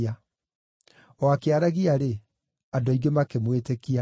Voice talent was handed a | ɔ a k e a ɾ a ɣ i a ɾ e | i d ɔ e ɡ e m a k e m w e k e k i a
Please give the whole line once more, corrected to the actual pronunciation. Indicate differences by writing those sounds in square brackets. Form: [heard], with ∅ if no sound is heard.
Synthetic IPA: a | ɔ a k e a ɾ a ɣ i a ɾ e | [a] d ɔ [i] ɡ e m a k e m w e [t] e k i a